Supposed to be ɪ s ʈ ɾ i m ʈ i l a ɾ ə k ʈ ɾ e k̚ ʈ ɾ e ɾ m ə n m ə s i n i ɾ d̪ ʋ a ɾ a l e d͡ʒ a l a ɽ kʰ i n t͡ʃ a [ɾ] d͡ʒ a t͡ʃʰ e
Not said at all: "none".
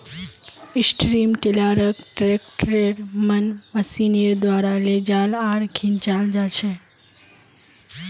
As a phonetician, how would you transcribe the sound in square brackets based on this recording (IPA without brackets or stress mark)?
l